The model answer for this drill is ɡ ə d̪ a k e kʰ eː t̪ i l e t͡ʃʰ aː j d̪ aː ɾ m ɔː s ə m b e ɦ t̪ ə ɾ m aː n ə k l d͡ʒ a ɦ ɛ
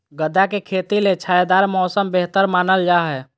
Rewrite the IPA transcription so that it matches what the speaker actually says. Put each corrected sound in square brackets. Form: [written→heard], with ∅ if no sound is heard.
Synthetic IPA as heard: ɡ ə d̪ a k e kʰ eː t̪ i l e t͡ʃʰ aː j d̪ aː ɾ m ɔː s ə m b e ɦ t̪ ə ɾ m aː n ə [k→∅] l d͡ʒ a ɦ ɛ